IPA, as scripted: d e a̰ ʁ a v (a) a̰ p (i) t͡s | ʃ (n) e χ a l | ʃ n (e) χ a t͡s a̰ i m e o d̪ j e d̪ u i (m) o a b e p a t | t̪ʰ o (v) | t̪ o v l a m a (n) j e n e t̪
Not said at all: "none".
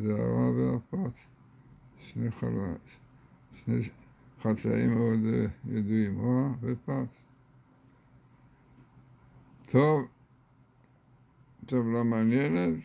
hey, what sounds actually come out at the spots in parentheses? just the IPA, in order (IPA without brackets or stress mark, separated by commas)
e, a, n, e, m, v, n